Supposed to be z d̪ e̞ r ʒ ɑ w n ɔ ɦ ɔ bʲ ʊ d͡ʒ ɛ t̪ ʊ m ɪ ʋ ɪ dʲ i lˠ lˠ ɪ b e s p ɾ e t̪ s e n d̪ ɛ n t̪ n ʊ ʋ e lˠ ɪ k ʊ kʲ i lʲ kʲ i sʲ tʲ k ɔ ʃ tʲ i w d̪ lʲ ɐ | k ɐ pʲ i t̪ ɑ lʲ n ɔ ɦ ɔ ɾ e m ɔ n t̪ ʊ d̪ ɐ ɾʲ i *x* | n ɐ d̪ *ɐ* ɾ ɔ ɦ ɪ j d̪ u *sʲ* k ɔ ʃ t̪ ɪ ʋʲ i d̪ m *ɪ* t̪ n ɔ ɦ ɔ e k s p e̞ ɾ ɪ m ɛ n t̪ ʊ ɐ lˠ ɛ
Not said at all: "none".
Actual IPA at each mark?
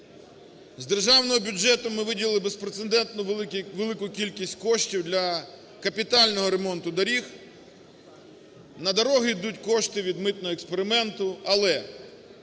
x, ɐ, tʲ, ɪ

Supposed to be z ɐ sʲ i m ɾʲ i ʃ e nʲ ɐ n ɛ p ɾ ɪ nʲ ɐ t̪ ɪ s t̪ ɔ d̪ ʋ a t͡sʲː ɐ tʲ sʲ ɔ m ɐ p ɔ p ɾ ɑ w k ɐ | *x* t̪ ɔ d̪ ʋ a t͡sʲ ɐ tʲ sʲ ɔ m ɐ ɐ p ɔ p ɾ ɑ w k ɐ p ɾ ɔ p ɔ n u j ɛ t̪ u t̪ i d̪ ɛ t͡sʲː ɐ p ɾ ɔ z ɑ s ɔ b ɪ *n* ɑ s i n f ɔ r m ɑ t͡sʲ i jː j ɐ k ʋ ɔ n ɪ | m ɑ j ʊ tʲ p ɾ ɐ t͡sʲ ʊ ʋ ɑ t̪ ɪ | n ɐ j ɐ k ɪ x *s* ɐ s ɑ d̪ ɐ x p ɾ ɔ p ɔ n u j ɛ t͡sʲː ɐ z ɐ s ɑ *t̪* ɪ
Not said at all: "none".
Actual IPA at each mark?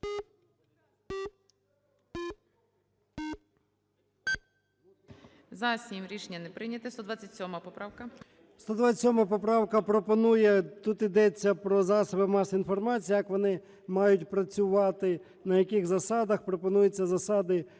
s, m, z, d̪

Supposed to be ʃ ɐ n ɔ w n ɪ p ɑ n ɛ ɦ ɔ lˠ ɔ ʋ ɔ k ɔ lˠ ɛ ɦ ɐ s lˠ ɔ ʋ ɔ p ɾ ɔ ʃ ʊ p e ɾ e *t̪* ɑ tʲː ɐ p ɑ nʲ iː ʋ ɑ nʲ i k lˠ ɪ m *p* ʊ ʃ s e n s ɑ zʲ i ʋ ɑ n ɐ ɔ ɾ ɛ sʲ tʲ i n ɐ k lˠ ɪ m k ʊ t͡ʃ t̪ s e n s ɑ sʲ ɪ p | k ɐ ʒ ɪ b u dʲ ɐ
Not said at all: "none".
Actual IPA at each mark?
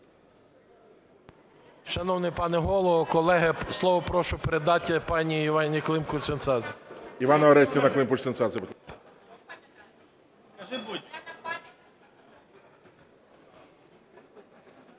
d̪, k

